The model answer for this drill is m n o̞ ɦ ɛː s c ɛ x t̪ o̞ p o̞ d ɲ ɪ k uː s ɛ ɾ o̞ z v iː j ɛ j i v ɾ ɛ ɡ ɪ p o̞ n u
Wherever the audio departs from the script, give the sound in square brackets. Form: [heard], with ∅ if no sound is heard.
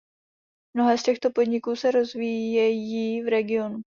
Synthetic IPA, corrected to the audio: m n o̞ ɦ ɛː s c ɛ x t̪ o̞ p o̞ d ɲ ɪ k uː s ɛ ɾ o̞ z v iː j ɛ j i v ɾ ɛ ɡ ɪ [∅] o̞ n u